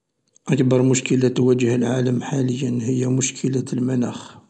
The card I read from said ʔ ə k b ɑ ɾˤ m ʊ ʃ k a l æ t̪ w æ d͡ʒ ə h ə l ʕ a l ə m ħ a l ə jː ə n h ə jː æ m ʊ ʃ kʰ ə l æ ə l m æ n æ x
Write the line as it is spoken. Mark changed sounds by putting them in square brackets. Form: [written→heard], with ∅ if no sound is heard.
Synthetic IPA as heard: ʔ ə k b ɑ ɾˤ m ʊ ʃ k [a→ə] l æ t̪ w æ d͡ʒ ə h ə l ʕ a l ə m ħ a l ə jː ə n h ə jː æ m ʊ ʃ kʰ ə l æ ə l m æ n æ x